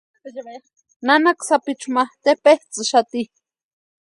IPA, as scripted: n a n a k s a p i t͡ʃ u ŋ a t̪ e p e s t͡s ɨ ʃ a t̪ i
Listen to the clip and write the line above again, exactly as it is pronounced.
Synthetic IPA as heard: n a n a k s a p i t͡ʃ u m a t̪ e p e h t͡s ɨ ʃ a t̪ i